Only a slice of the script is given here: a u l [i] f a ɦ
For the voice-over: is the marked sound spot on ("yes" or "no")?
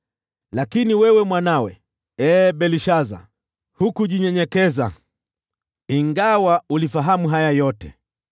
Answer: yes